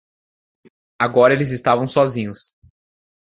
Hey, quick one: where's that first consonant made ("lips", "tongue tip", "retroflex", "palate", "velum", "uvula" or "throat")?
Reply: velum